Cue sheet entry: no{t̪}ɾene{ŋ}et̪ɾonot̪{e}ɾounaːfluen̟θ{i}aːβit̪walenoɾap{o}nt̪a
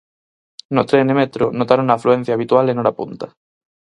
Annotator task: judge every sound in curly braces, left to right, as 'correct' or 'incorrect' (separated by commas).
correct, incorrect, incorrect, incorrect, incorrect